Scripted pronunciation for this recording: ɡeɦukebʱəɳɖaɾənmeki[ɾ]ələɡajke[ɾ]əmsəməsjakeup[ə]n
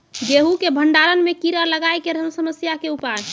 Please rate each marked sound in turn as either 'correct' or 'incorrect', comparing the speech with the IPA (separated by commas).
correct, correct, incorrect